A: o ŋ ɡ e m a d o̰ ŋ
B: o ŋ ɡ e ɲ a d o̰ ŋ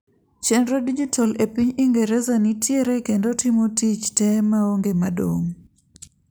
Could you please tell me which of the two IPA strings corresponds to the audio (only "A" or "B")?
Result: A